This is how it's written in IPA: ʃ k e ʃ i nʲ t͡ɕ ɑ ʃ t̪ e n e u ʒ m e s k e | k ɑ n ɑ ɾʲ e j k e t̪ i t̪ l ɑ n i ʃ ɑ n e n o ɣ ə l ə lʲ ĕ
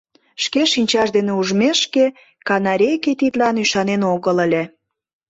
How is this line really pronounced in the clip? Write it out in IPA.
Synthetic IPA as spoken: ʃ k e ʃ i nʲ t͡ɕ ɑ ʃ d̪ e n e u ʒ m e ʃ k e | k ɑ n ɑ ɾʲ e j k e t̪ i t̪ l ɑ n y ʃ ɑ n e n o ɣ ə l ə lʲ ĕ